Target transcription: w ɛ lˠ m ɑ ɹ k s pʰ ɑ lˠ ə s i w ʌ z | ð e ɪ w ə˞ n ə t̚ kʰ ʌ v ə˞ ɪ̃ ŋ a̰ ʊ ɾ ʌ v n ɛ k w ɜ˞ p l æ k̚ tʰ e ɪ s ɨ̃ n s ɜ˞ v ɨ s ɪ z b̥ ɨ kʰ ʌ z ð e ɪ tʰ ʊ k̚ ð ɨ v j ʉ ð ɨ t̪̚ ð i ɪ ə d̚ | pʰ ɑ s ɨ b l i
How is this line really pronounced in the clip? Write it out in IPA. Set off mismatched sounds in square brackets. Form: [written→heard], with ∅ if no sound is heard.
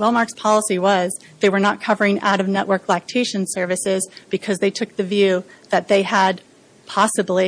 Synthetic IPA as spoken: w ɛ lˠ m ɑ ɹ k s pʰ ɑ lˠ ə s i w ʌ z | ð e ɪ w ə˞ n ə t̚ kʰ ʌ v ə˞ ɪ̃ ŋ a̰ ʊ ɾ ʌ v n ɛ [k→ʔ] w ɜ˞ [p→k] l æ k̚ tʰ e ɪ [s→ʃ] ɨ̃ n s ɜ˞ v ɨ s ɪ z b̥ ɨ kʰ ʌ z ð e ɪ tʰ ʊ k̚ ð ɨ v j ʉ ð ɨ t̪̚ ð [i→e] ɪ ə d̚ | pʰ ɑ s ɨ b l i